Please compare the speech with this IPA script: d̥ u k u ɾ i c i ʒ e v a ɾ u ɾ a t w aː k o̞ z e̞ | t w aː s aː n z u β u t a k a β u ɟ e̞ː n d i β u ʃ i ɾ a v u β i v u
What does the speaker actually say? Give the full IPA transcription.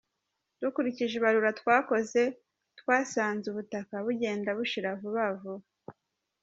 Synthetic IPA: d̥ u k u ɾ i c i ʒ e β a ɾ u ɾ a t w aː k o̞ z e̞ | t w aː s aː n z u β u t a k a β u ɟ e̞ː n d a β u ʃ i ɾ a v u β a v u